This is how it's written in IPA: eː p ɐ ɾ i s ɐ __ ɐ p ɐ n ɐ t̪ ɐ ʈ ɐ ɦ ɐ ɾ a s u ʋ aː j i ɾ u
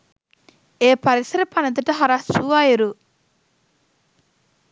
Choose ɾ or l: ɾ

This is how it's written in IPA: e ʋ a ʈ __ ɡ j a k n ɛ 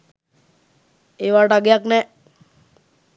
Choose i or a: a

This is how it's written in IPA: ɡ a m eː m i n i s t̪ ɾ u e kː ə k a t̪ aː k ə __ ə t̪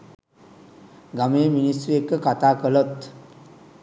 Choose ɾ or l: l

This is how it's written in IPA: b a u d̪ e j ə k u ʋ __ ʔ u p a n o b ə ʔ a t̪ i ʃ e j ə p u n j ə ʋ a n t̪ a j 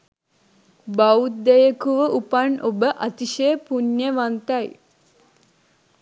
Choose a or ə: ə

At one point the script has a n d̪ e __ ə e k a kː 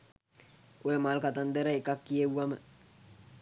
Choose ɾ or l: ɾ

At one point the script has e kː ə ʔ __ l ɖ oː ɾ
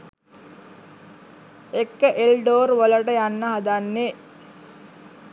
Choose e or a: e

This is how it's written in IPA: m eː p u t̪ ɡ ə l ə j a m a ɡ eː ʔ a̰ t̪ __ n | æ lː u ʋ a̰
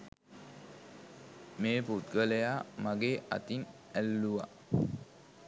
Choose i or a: i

